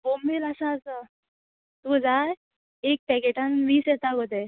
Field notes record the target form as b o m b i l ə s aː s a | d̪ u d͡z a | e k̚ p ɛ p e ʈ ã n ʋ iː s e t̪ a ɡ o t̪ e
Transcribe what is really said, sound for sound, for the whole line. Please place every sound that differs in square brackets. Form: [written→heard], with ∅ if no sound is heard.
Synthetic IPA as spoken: b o m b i l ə s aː s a | [d̪→t̪] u d͡z a | e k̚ p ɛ [p→k] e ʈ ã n ʋ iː s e t̪ a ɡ o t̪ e